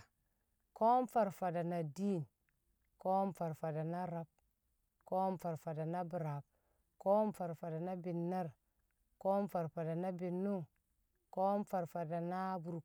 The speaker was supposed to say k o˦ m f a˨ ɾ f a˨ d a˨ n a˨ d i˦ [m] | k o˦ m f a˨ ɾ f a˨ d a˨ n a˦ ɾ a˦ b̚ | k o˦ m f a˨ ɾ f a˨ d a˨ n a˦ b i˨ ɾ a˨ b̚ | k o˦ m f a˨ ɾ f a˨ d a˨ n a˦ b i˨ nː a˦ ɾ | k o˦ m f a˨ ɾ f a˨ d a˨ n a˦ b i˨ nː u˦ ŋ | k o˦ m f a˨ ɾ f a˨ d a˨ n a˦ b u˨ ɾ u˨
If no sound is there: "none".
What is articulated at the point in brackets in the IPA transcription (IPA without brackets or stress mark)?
n